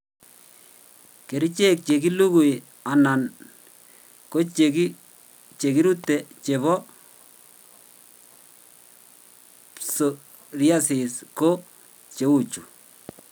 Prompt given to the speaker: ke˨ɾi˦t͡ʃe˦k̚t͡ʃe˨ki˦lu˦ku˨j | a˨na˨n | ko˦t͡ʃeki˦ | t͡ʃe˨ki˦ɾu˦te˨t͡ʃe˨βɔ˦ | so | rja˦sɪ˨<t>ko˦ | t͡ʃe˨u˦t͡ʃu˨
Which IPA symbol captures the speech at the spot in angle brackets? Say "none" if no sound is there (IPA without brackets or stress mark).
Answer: s